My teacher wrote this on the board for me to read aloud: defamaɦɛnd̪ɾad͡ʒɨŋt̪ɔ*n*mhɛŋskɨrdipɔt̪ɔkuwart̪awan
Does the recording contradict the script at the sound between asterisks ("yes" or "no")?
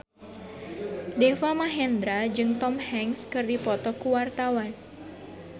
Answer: yes